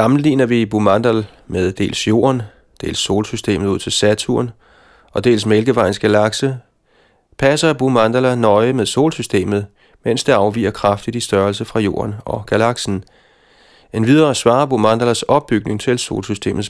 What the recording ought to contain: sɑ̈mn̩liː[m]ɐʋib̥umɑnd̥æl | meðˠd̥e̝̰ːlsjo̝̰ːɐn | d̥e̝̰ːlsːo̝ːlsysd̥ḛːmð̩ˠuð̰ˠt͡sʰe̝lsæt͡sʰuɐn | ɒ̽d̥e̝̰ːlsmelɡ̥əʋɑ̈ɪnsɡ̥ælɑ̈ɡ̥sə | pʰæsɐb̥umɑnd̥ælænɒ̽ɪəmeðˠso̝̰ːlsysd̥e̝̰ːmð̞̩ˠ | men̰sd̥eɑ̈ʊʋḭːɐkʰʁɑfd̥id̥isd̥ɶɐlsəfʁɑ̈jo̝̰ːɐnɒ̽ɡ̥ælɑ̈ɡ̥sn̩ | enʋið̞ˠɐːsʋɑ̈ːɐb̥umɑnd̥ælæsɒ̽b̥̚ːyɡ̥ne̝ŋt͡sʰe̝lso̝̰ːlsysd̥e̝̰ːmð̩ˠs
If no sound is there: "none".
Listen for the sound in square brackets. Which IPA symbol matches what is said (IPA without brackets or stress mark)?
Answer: n